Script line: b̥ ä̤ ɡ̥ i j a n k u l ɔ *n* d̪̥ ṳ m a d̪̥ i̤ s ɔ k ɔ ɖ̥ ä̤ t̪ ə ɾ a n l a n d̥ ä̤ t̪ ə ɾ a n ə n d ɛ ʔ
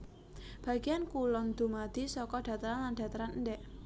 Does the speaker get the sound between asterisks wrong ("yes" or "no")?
no